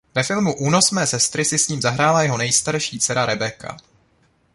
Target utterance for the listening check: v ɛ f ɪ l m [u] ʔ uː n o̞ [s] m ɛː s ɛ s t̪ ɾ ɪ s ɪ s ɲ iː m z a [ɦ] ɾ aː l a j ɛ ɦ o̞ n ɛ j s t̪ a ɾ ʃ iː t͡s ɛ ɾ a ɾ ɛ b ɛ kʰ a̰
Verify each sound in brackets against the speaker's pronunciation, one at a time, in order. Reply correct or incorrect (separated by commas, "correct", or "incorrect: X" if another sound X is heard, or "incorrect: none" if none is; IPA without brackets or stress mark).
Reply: correct, correct, correct